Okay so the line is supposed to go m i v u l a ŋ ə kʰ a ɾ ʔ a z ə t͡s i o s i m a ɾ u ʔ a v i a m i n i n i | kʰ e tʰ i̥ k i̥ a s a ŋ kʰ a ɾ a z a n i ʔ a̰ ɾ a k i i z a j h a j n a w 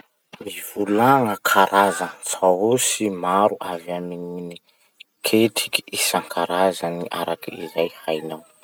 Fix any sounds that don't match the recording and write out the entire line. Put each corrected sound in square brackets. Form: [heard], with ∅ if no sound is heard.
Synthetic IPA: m i v u l a ŋ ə kʰ a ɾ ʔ a z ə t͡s [a] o s i m a ɾ u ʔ a v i a m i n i n i | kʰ e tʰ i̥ k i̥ [i] s a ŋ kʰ a ɾ a z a n i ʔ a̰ ɾ a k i i z a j h a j n a w